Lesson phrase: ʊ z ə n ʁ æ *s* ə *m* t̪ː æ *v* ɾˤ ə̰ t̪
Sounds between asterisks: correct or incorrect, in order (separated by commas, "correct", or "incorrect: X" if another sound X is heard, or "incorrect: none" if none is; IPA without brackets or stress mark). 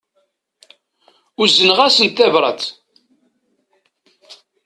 correct, incorrect: n, correct